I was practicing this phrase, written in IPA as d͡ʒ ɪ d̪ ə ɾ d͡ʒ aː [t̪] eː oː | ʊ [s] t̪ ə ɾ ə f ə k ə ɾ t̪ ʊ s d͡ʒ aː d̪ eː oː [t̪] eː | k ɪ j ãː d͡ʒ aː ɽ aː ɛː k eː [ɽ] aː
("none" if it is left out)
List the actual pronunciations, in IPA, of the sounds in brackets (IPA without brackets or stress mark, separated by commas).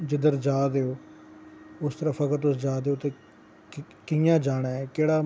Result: d̪, s, t̪, ɽ